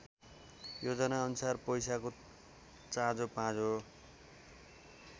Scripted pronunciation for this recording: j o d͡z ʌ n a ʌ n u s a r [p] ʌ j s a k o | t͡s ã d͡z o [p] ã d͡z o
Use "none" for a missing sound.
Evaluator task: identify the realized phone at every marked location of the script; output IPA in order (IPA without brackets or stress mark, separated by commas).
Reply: p, p